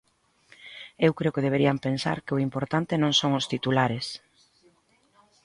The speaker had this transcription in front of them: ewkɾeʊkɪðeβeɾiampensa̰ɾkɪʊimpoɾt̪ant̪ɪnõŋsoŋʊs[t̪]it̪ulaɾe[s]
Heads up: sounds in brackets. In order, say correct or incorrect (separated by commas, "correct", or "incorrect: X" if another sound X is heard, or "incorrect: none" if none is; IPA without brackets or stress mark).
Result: correct, correct